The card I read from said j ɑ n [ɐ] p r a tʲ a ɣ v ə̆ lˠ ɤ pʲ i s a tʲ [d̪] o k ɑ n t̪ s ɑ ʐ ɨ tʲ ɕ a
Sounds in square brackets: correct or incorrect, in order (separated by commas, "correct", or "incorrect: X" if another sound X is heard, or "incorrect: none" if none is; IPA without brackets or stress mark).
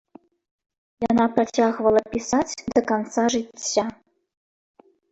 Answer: incorrect: ɑ, correct